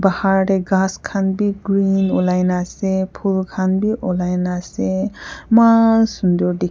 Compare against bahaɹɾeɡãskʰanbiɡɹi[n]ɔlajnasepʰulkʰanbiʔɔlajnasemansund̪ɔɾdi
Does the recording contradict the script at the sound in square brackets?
no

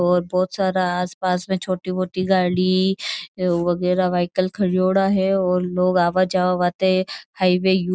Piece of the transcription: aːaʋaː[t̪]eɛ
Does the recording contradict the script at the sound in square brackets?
no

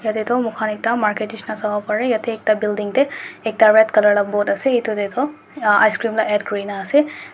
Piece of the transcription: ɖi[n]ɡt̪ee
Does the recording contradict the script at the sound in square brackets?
yes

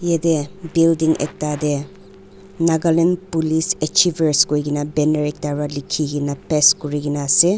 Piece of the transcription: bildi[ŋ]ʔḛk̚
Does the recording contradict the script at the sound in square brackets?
no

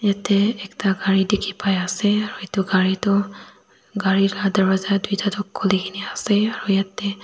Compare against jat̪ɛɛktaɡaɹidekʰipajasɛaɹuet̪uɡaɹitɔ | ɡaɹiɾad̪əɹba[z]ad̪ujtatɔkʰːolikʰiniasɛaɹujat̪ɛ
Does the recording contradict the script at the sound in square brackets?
no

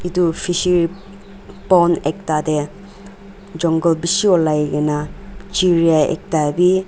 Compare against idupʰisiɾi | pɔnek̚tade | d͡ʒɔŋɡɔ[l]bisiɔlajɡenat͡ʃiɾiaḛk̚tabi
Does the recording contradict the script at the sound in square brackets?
no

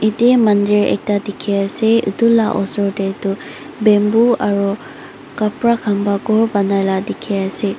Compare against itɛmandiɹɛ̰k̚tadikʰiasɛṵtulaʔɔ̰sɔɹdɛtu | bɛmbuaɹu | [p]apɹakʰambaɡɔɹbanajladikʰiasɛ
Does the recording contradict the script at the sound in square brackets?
yes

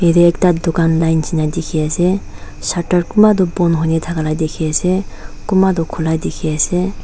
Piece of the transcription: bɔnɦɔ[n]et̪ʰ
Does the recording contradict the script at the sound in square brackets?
no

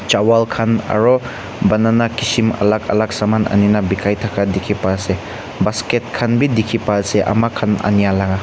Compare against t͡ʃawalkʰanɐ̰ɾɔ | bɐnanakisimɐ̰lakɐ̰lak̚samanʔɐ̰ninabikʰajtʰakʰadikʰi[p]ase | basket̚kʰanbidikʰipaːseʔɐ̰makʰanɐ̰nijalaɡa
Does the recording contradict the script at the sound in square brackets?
no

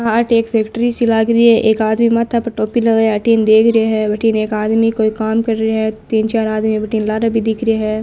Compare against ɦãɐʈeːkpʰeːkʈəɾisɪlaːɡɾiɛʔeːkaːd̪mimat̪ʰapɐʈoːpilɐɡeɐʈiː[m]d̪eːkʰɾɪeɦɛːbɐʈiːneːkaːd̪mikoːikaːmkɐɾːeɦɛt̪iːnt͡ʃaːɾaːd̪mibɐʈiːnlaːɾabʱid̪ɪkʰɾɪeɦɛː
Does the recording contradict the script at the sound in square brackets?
yes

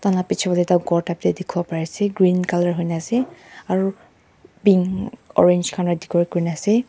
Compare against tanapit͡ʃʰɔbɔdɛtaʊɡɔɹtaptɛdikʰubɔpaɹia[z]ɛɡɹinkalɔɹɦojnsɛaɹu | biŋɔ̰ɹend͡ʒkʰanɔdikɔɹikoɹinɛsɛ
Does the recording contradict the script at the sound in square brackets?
yes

